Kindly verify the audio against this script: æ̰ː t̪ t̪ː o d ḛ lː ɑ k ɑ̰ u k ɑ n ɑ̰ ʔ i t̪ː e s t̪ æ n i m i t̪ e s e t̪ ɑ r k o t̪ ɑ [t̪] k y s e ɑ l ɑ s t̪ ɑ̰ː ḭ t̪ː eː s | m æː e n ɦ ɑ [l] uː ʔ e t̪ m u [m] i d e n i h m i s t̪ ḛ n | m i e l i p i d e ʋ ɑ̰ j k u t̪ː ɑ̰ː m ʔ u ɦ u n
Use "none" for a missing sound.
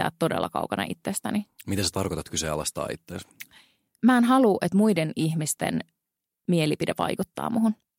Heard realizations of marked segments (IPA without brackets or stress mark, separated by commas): t̪, l, none